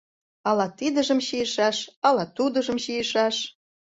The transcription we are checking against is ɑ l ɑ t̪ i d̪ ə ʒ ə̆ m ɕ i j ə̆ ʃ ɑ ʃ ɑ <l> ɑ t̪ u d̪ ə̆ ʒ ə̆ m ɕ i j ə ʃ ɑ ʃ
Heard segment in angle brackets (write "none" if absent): l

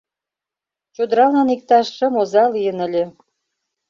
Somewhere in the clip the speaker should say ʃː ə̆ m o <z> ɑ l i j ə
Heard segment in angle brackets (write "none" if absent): z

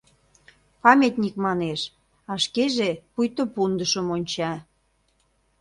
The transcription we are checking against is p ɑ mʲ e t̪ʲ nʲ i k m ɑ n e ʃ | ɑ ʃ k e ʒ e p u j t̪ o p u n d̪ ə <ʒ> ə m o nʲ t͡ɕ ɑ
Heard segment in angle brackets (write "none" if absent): ʃ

